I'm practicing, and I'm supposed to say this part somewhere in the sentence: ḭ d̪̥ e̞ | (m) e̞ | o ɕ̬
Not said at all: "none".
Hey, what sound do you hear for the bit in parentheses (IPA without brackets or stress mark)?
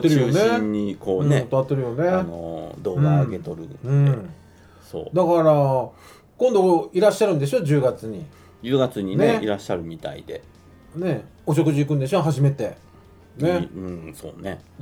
n